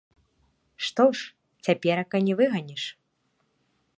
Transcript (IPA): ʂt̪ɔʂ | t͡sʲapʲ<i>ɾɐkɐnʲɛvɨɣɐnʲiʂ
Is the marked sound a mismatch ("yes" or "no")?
yes